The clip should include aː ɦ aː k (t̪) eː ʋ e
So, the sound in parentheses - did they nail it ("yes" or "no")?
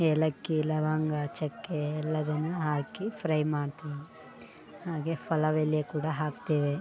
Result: yes